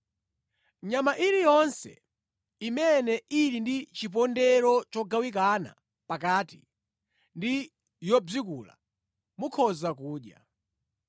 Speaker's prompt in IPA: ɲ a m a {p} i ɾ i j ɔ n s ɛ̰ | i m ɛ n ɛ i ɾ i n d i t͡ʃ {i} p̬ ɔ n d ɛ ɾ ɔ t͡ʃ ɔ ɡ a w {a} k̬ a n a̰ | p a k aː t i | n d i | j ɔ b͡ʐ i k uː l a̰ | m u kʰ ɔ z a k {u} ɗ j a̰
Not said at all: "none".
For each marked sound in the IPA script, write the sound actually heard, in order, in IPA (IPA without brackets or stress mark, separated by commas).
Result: ʔ, i, i, uː